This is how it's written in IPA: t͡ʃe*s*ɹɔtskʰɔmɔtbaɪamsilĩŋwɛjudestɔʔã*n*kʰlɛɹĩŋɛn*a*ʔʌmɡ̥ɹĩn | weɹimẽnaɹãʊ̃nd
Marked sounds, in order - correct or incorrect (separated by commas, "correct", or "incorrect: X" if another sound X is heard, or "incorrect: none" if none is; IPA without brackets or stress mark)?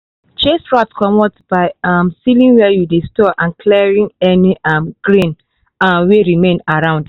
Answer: correct, correct, incorrect: i